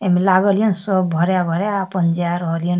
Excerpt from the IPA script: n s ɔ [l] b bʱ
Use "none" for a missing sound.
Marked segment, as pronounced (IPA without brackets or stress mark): none